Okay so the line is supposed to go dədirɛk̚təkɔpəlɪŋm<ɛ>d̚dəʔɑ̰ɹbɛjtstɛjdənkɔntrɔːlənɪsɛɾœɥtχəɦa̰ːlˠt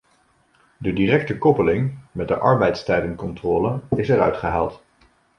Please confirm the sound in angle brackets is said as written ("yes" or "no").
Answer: yes